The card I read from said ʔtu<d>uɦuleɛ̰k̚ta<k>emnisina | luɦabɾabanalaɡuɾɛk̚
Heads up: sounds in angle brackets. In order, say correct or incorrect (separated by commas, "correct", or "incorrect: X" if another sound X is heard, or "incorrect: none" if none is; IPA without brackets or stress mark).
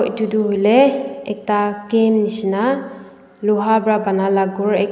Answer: correct, correct